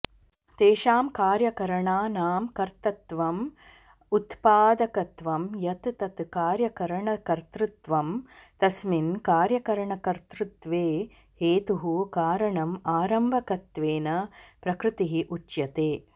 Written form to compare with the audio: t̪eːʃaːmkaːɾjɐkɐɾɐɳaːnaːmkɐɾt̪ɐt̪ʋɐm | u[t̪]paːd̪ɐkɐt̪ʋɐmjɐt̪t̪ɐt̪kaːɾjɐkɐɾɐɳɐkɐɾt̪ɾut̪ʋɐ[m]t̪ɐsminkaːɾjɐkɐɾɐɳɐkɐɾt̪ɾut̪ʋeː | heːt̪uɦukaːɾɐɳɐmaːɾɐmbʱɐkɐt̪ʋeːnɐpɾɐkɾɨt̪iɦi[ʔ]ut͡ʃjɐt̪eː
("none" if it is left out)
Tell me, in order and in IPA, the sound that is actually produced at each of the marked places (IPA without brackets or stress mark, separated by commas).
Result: t̪, m, ʔ